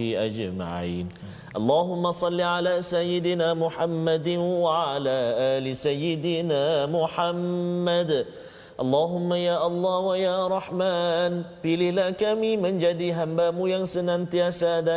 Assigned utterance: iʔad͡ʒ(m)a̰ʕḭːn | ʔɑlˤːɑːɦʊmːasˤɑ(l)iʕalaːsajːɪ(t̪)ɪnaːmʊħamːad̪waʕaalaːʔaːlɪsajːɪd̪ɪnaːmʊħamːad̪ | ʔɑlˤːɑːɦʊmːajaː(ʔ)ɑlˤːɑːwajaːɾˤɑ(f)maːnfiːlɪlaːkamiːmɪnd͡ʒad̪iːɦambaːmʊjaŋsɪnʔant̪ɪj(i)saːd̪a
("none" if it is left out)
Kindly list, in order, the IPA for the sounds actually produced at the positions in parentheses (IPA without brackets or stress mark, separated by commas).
m, lː, d̪, ʔ, ħ, a